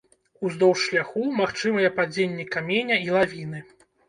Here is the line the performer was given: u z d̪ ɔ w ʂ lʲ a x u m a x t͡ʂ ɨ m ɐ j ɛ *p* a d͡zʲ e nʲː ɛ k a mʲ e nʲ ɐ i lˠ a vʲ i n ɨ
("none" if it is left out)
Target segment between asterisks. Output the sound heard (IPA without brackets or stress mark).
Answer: p